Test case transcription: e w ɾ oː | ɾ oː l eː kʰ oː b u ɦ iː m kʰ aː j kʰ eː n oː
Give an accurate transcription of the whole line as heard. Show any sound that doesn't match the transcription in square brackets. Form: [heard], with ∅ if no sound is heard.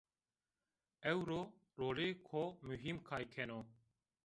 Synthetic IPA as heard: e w ɾ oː | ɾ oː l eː kʰ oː [m] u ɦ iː m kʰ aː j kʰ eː n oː

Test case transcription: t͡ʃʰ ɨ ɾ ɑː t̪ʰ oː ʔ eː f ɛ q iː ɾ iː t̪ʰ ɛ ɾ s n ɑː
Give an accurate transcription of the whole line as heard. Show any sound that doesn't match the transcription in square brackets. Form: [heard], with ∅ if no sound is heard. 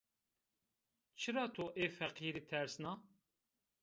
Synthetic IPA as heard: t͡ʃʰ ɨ ɾ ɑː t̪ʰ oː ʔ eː f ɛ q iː ɾ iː t̪ʰ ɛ ɾ s n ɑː

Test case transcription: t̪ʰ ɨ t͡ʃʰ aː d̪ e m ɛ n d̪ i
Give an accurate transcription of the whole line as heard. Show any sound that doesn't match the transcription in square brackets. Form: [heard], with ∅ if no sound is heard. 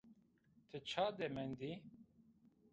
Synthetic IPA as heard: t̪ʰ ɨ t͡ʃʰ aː d̪ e m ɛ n d̪ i

